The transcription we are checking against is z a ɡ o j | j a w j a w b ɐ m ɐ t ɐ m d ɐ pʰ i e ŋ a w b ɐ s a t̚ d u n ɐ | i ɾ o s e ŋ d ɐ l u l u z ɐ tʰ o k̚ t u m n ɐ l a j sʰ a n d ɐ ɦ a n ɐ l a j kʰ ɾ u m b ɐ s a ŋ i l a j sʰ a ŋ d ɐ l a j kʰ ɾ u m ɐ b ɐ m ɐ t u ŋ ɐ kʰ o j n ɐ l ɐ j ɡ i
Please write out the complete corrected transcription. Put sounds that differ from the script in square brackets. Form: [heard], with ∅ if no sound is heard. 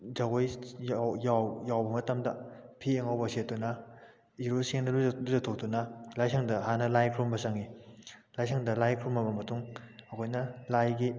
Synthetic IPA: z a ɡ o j | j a w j a w b ɐ m ɐ t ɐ m d ɐ pʰ i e ŋ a w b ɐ s [e] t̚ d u n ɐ | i ɾ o s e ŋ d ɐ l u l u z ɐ tʰ o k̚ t u [∅] n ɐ l a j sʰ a [ŋ] d ɐ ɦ a n ɐ l a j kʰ ɾ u m b ɐ s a ŋ i l a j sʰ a ŋ d ɐ l a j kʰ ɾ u m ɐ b ɐ m ɐ t u ŋ ɐ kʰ o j n ɐ l [a] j ɡ i